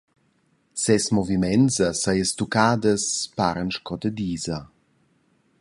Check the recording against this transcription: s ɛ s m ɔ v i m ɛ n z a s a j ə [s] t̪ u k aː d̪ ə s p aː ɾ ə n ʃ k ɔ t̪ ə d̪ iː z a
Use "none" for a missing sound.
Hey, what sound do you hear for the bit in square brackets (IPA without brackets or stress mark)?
s